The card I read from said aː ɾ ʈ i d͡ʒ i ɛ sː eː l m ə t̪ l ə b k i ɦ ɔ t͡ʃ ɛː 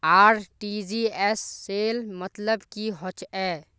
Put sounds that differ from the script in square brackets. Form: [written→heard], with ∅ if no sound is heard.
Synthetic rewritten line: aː ɾ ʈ i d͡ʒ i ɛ sː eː l m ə t̪ l ə b k i ɦ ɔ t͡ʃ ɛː